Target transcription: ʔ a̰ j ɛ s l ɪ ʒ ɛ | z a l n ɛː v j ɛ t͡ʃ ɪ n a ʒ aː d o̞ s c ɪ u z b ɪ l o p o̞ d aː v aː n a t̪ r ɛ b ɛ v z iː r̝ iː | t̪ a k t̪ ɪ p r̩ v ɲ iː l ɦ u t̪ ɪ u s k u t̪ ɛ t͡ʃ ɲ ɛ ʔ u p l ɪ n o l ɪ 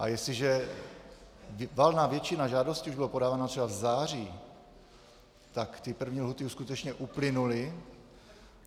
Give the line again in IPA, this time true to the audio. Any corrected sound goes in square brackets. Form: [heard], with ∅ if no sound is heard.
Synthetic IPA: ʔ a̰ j ɛ s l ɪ ʒ ɛ | [v] a l n [aː] v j ɛ t͡ʃ ɪ n a ʒ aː d o̞ s c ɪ u [ʒ] b ɪ l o p o̞ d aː v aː n a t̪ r ɛ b [a] v z [aː] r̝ iː | t̪ a k t̪ ɪ p r̩ v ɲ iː l ɦ u t̪ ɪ u s k u t̪ ɛ t͡ʃ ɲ ɛ ʔ u p l ɪ n [u] l ɪ